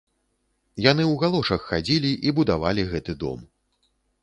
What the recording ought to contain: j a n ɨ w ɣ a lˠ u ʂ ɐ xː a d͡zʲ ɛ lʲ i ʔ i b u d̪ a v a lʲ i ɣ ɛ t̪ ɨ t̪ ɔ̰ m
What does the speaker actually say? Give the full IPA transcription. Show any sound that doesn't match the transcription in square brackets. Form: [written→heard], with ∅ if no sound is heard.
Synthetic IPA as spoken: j a n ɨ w ɣ a lˠ [u→ɔ] ʂ ɐ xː a d͡zʲ [ɛ→i] lʲ i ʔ i b u d̪ a v a lʲ i ɣ ɛ t̪ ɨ [t̪→d̪] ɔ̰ m